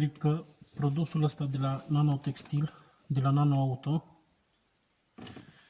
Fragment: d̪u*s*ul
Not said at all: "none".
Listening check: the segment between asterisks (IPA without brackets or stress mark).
s